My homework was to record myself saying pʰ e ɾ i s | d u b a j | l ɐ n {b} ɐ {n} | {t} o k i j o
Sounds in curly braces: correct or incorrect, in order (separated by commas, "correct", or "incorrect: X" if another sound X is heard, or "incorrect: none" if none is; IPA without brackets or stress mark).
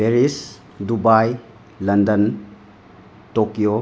incorrect: d, correct, correct